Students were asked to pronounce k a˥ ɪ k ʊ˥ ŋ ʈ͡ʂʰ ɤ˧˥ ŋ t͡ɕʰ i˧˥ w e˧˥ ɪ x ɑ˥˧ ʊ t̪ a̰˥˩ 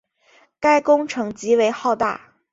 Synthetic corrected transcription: k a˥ ɪ k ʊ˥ ŋ ʈ͡ʂʰ ɤ˧˥ ŋ t͡ɕ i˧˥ w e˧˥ ɪ x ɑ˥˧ ʊ t̪ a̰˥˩

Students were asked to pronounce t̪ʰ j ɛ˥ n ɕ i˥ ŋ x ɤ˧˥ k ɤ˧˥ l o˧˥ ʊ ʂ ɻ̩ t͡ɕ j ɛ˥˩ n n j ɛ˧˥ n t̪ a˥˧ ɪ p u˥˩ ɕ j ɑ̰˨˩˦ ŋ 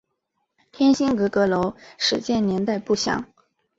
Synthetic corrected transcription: t̪ʰ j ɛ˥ n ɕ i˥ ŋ k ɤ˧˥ k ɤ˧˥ l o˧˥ ʊ ʂ ɻ̩ t͡ɕ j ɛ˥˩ n n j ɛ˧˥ n t̪ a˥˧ ɪ p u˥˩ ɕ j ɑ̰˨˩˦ ŋ

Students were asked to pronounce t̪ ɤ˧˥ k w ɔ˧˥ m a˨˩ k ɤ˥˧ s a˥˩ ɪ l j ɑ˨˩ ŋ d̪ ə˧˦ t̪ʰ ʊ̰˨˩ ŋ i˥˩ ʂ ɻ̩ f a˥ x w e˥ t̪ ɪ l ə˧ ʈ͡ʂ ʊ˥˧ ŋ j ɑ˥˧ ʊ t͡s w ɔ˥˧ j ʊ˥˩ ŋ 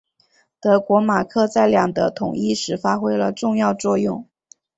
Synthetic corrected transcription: t̪ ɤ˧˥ k w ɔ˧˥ m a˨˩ kʰ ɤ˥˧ t͡s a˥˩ ɪ l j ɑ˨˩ ŋ d̪ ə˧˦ t̪ʰ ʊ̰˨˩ ŋ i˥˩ ʂ ɻ̩ f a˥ x w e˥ ɪ l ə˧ ʈ͡ʂ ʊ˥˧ ŋ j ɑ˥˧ ʊ t͡s w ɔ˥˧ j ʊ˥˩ ŋ

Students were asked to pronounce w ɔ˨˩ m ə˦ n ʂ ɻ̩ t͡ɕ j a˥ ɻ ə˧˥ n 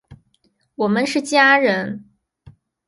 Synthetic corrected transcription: w ɔ˨˩ m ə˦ n ʂ ɻ̩ t͡ɕ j a˥ ɻ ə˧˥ n

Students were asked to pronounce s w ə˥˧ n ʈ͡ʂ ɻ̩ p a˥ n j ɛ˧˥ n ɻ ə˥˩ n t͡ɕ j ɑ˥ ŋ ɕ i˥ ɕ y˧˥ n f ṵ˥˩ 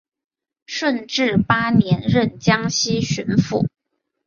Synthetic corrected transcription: ʂ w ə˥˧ n ʈ͡ʂ ɻ̩ p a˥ n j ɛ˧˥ n ɻ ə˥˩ n t͡ɕ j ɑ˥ ŋ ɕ i˥ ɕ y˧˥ n f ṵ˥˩

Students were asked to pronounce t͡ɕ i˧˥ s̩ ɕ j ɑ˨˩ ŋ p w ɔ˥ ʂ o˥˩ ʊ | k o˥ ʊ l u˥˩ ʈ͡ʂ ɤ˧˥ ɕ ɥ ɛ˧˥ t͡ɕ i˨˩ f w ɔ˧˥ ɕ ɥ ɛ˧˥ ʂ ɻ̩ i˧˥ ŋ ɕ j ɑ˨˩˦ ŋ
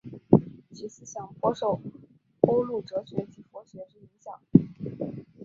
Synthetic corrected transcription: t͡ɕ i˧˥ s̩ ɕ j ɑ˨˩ ŋ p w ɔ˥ ʂ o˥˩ ʊ | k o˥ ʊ l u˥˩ ʈ͡ʂ ɤ˧˥ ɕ ɥ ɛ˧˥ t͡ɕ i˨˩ f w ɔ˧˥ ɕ ɥ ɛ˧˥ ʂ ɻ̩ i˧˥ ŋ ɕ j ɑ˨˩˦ ŋ

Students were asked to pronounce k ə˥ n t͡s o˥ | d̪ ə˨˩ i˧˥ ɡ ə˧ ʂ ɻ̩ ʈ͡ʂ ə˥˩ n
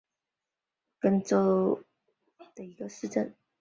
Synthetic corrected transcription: k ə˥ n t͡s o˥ | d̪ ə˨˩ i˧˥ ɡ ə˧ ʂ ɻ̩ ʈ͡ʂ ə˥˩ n

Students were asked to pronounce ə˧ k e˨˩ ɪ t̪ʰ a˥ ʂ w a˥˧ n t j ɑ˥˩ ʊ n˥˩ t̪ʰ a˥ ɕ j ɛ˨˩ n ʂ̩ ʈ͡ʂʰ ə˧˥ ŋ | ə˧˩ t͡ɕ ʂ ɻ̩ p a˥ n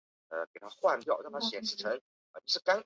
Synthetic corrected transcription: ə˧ k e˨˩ ɪ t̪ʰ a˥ x w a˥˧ n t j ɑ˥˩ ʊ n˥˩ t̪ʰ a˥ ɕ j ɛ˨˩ n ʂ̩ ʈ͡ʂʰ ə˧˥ ŋ | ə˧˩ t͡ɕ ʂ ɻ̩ k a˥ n

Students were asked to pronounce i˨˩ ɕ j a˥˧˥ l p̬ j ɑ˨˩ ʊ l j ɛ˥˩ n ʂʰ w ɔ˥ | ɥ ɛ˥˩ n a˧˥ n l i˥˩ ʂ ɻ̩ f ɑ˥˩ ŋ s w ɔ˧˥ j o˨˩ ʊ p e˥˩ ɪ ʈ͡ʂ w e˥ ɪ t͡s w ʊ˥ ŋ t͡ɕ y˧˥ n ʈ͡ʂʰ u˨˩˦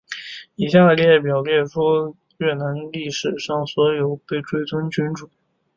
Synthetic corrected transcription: i˨˩ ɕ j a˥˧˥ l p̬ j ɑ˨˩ ʊ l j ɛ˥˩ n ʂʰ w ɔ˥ | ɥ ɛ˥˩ n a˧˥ n l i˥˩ ʂ ɻ̩ ʂ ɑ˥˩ ŋ s w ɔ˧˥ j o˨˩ ʊ p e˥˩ ɪ ʈ͡ʂ w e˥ ɪ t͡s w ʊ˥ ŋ t͡ɕ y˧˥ n ʈ͡ʂ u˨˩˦

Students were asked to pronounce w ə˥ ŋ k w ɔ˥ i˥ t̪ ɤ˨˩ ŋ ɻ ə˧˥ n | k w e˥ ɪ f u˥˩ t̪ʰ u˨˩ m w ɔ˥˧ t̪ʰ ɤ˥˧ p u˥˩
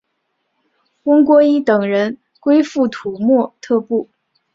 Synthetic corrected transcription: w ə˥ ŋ k w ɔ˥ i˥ t̪ ɤ˨˩ ŋ ɻ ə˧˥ n | k w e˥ ɪ f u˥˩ t̪ʰ u˨˩ m w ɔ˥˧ t̪ʰ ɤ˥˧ p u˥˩

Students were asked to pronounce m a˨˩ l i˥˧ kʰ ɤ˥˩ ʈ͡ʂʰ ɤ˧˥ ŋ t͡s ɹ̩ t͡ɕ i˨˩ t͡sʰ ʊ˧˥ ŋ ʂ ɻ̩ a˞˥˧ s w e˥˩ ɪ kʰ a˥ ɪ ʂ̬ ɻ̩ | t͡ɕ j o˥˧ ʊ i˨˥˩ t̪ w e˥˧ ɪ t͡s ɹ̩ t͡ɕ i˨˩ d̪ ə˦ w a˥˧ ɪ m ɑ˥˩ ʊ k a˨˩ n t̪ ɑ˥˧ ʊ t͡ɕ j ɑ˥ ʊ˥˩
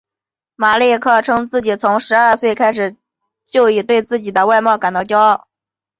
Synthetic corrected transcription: m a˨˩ l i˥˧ kʰ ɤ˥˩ ʈ͡ʂʰ ɤ˥ ŋ t͡s ɹ̩ t͡ɕ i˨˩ t͡sʰ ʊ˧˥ ŋ ʂ ɻ̩ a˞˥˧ s w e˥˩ ɪ kʰ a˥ ɪ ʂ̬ ɻ̩ | t͡ɕ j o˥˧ ʊ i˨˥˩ t̪ w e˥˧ ɪ t͡s ɹ̩ t͡ɕ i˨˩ d̪ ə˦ w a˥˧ ɪ m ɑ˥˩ ʊ k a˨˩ n t̪ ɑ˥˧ ʊ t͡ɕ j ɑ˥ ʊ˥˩

